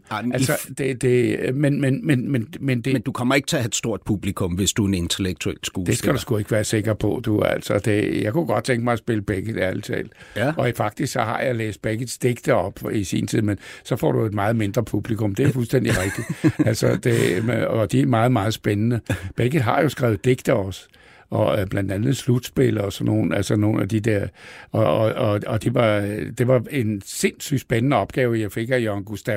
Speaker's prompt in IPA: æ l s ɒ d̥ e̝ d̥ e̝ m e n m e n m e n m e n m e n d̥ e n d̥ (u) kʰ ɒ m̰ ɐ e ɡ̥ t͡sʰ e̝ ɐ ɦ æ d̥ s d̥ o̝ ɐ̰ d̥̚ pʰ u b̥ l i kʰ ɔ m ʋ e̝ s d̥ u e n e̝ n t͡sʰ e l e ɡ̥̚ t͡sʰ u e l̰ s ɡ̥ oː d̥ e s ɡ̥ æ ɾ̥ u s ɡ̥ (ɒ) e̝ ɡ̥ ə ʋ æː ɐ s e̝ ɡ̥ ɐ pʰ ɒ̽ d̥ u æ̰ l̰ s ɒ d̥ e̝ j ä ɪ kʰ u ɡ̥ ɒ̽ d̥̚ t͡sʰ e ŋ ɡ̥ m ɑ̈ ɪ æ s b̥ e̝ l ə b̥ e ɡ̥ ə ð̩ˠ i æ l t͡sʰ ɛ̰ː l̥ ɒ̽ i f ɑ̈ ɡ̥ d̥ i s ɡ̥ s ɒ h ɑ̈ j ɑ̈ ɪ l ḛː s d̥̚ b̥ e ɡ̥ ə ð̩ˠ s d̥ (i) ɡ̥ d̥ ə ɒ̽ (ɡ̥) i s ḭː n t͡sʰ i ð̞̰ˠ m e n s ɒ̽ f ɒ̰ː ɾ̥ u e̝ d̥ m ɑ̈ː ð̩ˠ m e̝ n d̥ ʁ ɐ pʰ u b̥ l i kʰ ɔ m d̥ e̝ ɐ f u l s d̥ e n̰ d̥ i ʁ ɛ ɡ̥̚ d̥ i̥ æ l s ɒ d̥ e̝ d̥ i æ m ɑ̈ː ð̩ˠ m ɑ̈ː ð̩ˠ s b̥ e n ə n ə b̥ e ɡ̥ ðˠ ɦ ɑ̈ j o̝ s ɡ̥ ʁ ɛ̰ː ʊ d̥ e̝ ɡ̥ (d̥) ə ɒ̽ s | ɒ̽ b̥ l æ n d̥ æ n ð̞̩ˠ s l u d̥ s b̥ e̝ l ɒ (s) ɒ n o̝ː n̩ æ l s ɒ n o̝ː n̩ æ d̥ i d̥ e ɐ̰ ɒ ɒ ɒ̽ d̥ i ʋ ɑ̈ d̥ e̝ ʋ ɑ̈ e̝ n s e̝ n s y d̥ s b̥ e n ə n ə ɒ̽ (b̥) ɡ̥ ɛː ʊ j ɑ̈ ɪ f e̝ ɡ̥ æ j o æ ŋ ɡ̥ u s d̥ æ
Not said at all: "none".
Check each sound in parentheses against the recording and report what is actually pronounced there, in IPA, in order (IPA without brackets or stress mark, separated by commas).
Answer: u, u, e, b̥, d̥, s, b̥